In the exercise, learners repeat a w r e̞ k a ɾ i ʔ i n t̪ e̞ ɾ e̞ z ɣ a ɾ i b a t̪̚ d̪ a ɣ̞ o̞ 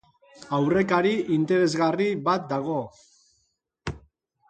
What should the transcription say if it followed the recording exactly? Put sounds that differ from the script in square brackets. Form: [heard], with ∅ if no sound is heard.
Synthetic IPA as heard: a w r e̞ k a ɾ i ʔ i n t̪ e̞ ɾ e̞ z ɣ a [r] i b a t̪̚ d̪ a ɣ̞ o̞